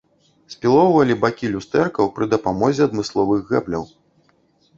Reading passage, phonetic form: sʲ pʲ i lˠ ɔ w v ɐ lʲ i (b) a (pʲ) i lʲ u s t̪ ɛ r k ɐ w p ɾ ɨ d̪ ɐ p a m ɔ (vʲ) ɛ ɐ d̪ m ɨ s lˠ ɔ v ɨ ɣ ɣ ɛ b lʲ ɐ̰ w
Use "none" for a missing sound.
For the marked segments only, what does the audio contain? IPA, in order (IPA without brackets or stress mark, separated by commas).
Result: b, kʲ, zʲ